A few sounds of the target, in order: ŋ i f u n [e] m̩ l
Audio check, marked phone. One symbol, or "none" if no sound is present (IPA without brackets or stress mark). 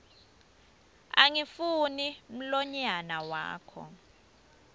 i